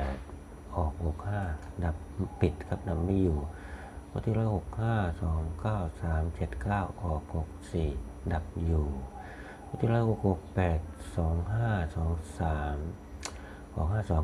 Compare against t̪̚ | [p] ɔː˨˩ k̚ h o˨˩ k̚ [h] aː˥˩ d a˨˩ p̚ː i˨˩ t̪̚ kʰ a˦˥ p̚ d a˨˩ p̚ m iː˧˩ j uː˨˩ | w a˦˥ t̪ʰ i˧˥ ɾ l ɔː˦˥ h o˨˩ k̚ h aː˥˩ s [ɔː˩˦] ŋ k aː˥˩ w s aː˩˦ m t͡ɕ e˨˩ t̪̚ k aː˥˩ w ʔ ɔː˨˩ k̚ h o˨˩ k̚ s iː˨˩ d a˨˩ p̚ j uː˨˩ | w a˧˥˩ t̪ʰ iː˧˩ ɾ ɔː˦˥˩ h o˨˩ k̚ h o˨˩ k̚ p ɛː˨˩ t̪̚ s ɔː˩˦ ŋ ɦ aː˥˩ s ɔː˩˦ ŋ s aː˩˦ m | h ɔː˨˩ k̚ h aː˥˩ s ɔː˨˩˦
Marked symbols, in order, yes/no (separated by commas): no, yes, yes